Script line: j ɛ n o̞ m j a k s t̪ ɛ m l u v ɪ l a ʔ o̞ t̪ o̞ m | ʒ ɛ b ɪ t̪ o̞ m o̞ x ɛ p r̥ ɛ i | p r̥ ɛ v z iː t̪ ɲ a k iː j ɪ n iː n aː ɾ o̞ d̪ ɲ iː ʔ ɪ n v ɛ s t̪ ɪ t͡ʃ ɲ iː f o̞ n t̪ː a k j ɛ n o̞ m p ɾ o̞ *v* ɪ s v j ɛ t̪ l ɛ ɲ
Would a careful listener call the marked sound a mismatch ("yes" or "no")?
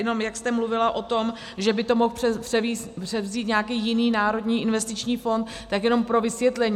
no